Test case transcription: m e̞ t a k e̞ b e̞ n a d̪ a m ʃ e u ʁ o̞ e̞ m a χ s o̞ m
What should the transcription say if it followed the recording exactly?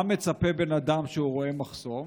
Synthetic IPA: m e̞ t͡s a p e̞ b e̞ n a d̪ a m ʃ e u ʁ o̞ e̞ m a χ s o̞ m